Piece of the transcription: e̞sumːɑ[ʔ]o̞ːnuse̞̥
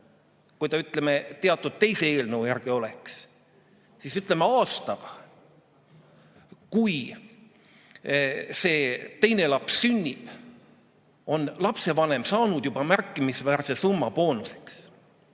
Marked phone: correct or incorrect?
incorrect